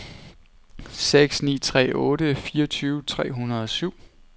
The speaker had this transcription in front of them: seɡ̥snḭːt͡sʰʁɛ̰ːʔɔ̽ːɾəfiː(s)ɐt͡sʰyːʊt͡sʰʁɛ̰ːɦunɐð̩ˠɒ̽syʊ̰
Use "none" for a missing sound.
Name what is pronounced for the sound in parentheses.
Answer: none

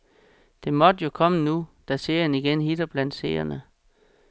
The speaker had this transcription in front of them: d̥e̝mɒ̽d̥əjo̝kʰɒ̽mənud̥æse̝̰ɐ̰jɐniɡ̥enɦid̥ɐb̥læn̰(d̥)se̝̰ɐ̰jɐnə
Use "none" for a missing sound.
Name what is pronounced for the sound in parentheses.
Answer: d̥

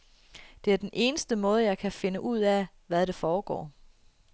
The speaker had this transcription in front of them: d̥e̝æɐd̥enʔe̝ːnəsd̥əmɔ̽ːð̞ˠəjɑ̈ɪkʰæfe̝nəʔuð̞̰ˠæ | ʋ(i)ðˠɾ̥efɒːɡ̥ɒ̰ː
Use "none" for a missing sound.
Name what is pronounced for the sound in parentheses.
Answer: æ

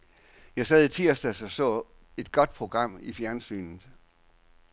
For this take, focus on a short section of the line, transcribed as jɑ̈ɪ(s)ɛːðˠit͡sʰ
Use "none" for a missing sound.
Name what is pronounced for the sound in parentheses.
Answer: s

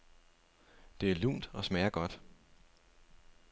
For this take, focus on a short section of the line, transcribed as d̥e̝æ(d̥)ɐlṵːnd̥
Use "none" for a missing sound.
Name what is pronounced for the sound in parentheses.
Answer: none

